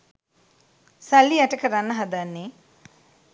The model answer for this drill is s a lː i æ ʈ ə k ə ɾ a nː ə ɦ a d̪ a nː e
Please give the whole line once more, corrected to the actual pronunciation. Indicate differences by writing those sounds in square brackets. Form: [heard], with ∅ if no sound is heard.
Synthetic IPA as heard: s a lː i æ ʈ ə k ə ɾ a nː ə ɦ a d̪ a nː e